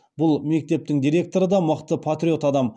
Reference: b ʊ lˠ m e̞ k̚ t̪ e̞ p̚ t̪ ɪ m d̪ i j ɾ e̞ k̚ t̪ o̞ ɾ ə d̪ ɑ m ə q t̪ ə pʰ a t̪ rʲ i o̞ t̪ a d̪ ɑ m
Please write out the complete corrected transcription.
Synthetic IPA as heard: b ʊ lˠ m e̞ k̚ t̪ e̞ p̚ t̪ ɪ ŋ d̪ i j ɾ e̞ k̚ t̪ o̞ ɾ ə d̪ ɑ m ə q t̪ ə pʰ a t̪ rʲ i o̞ t̪ ɑ d̪ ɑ m